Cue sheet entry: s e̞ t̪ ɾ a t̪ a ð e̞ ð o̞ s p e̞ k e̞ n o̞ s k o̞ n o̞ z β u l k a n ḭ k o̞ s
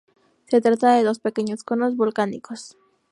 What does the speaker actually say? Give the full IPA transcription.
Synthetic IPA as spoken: s e̞ t̪ ɾ a t̪ a ð e̞ ð o̞ s p e̞ k e̞ ɲ o̞ s k o̞ n o̞ z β u l k a n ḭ k o̞ s